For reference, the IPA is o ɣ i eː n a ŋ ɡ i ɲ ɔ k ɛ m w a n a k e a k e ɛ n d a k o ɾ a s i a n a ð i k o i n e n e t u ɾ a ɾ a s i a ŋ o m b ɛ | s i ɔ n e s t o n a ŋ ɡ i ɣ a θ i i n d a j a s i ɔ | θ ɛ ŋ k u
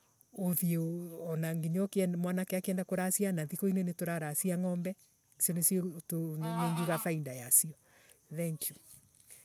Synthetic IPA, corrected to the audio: o ð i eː n a ŋ ɡ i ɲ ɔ k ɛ m w a n a k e a k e ɛ n d a k o ɾ a s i a n a ð i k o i n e n e t o ɾ a ɾ a s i a ŋ ɔ m b ɛ | s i ɔ n e s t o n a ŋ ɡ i ɣ a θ a i n d a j a s i ɔ | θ ɛ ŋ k u